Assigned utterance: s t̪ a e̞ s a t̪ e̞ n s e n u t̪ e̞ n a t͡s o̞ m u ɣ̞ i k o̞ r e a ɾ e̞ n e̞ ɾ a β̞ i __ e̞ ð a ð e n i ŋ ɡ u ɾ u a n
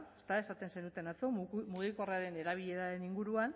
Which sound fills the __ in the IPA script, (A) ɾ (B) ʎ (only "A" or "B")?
B